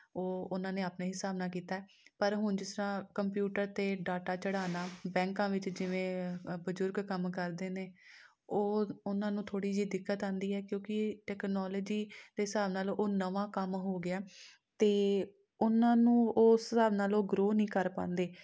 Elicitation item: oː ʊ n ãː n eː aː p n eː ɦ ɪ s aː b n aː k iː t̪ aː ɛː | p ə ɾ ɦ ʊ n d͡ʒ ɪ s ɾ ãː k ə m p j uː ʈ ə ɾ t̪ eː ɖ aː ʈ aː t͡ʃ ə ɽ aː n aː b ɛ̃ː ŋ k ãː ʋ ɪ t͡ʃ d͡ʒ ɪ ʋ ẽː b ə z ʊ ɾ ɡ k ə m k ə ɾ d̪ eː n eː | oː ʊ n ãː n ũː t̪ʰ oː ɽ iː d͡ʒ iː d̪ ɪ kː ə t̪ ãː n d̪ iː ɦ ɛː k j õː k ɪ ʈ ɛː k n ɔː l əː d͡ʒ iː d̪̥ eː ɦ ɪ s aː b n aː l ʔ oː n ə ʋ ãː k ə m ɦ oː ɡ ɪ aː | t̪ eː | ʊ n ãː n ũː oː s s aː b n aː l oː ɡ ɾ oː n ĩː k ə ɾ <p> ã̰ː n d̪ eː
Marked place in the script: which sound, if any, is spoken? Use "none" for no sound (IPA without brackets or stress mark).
p